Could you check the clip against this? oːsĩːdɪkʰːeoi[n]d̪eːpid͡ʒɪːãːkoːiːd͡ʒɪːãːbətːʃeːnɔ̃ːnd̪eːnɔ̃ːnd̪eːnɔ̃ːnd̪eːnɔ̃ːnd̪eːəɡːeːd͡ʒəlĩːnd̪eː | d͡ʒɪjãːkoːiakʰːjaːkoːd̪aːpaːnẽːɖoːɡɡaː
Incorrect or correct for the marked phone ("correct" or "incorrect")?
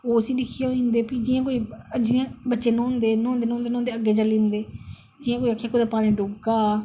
correct